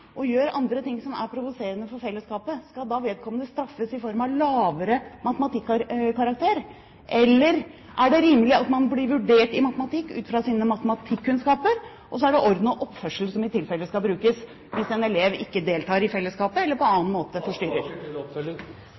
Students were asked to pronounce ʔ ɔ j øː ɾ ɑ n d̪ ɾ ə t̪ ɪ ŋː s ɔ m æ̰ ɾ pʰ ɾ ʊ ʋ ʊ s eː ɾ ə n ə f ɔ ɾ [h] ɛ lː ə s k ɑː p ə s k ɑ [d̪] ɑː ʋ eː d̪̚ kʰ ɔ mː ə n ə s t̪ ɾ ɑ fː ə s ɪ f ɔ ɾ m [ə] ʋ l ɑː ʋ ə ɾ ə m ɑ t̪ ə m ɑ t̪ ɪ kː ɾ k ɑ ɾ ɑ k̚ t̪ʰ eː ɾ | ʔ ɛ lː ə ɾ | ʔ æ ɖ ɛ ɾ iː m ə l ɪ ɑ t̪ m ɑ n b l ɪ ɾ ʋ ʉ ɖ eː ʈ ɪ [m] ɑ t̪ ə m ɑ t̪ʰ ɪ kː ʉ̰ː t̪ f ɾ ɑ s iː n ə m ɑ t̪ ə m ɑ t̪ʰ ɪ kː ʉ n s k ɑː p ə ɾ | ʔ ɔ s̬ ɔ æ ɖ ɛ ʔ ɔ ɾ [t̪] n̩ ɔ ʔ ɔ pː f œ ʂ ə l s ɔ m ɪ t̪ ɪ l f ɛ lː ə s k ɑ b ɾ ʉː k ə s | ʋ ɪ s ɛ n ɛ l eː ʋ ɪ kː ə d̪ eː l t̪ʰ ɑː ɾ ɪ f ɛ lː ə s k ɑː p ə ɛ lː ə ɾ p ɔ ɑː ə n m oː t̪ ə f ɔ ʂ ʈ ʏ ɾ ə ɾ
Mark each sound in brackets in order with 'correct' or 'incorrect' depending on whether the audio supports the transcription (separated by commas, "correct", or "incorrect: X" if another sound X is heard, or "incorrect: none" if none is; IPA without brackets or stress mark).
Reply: incorrect: f, correct, incorrect: ɑ, correct, incorrect: d̪